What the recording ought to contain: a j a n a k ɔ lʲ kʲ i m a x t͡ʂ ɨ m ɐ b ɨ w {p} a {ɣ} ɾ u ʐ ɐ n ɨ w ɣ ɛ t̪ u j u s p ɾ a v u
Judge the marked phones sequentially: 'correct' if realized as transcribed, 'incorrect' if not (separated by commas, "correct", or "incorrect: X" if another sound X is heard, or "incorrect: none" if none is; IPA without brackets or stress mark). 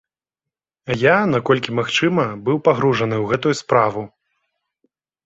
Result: correct, correct